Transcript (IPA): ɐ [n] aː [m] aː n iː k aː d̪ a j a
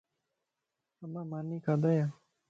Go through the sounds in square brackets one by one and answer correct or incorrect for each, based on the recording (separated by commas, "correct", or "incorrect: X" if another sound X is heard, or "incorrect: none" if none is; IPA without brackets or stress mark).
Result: incorrect: m, correct